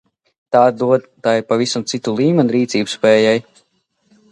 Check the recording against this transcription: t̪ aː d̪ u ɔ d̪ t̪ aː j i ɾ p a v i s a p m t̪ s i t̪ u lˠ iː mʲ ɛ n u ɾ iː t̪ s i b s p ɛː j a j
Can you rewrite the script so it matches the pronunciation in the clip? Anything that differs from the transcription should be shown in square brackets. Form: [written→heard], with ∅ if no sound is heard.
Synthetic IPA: t̪ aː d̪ u ɔ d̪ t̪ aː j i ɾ p a v i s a [p→∅] m t̪ s i t̪ u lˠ iː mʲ ɛ n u ɾ iː t̪ s [i→iː] b s p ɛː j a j